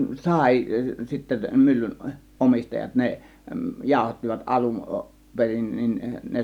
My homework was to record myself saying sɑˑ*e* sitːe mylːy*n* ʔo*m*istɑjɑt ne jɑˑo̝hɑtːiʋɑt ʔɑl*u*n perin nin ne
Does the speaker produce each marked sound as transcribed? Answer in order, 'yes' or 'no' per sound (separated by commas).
no, yes, yes, yes